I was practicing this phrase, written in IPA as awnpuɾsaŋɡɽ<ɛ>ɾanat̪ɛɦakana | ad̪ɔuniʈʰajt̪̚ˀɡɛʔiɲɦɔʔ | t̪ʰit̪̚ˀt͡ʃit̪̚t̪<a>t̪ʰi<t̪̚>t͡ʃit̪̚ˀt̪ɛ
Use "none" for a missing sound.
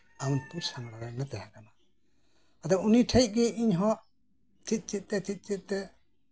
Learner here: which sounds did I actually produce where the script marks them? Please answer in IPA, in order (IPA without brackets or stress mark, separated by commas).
a, ɛ, t̪̚